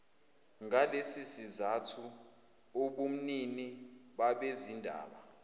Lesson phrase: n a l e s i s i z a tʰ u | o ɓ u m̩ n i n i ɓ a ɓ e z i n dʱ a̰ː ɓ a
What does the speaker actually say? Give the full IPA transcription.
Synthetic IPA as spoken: ŋ a l e s i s i z a tʰ u | o ɓ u m̩ n i n i ɓ a ɓ e z i n dʱ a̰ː ɓ a